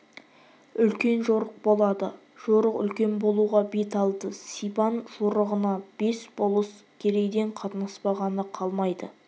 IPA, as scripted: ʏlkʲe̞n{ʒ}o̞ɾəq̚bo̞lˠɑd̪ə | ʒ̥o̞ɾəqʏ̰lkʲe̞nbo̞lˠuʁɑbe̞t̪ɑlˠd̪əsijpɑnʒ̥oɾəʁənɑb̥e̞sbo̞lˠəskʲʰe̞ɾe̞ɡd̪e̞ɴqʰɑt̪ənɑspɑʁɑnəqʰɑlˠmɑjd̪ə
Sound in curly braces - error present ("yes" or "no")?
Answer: no